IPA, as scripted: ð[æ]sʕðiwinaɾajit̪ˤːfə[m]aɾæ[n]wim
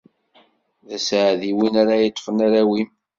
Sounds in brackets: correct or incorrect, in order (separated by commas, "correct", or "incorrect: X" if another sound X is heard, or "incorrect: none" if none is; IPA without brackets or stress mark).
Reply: correct, incorrect: n, incorrect: none